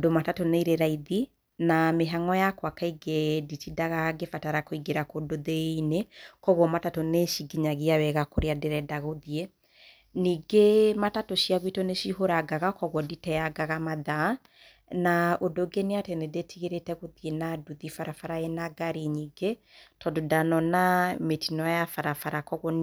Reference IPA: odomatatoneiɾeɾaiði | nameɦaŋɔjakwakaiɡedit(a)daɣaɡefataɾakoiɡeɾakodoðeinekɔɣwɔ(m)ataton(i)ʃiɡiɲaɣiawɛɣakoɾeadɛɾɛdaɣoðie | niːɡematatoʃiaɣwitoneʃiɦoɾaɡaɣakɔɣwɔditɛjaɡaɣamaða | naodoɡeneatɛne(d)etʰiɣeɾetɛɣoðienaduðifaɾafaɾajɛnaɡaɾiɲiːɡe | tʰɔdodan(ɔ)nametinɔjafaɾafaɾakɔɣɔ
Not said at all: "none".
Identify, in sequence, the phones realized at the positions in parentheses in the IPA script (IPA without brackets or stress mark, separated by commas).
i, m, e, d, ɔ